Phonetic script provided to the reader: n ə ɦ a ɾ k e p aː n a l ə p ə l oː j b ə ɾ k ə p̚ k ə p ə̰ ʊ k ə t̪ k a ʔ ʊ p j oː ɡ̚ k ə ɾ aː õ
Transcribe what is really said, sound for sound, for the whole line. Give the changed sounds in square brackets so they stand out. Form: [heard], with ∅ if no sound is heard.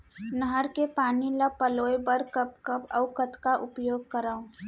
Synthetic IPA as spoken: n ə ɦ [ə] ɾ k e p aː n [i] l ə p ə l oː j b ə ɾ k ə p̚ k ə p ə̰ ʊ k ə t̪ k a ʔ ʊ p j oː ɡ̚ k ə ɾ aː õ